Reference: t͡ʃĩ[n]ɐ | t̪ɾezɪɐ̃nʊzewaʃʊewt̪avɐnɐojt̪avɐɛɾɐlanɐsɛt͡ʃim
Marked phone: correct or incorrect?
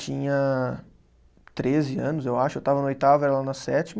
incorrect